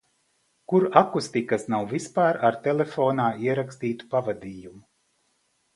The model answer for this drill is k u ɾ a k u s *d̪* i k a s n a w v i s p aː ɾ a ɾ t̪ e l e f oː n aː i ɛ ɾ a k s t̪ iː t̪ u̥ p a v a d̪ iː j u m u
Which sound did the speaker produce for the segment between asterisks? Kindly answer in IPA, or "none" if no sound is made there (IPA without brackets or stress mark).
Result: t̪